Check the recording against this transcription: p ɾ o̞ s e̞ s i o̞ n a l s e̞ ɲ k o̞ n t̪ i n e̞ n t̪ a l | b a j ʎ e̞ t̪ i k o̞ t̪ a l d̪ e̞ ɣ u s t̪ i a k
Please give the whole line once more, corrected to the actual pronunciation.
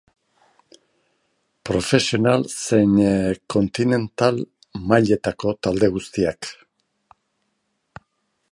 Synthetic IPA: p ɾ o̞ f e̞ s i o̞ n a l s e̞ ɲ k o̞ n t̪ i n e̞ n t̪ a l | m a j ʎ e̞ t̪ a k o̞ t̪ a l d̪ e̞ ɣ u s t̪ i a k